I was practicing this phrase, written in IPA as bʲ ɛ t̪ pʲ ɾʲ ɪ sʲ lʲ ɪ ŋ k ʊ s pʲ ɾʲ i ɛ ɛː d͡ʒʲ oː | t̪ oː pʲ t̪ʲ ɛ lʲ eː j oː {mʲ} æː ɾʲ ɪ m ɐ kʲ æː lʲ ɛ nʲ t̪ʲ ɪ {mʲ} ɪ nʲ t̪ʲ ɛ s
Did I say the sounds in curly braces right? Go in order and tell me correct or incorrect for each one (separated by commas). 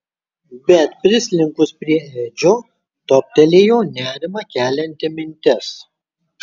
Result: incorrect, correct